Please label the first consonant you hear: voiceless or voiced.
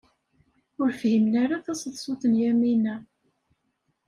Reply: voiced